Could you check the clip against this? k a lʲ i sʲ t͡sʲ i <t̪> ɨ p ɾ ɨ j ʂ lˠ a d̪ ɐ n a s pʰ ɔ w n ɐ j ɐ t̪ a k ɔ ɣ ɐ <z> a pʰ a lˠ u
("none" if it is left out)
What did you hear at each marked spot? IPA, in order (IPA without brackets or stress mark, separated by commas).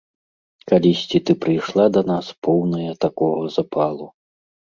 t̪, z